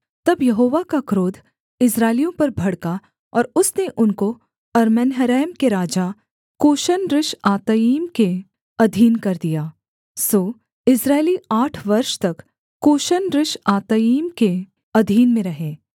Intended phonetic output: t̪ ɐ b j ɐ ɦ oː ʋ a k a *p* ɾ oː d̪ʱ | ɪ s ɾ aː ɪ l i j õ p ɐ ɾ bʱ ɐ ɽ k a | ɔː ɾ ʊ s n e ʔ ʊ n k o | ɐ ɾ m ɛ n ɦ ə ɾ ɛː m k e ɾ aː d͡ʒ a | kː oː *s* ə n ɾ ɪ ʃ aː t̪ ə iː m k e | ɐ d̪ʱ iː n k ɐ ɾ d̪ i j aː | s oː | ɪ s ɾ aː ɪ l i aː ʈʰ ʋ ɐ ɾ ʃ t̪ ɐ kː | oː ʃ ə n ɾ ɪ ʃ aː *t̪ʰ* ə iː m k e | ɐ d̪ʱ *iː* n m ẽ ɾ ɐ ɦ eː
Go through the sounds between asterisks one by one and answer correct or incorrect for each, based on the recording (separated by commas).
incorrect, incorrect, incorrect, correct